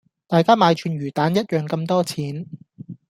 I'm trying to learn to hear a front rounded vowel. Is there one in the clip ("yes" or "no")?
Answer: yes